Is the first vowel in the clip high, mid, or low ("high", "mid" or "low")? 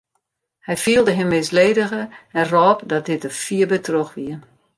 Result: mid